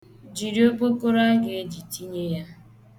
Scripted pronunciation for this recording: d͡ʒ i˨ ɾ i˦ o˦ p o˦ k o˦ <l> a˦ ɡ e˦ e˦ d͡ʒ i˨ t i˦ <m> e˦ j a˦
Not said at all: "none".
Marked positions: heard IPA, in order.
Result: ɾ, ɲ

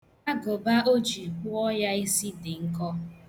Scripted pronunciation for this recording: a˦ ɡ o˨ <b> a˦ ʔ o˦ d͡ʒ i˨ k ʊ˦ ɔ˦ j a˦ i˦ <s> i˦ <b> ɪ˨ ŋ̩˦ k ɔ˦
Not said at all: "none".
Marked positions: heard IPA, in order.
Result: b, s, d

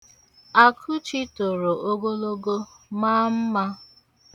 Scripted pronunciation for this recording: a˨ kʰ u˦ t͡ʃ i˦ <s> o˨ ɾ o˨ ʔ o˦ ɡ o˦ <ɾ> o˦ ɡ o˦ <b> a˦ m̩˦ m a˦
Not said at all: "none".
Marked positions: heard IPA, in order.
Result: t, l, m

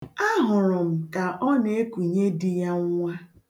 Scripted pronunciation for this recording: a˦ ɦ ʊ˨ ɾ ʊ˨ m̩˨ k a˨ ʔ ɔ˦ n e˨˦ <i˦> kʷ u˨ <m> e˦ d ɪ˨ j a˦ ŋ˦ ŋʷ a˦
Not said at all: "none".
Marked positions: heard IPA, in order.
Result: e˦, ɲ

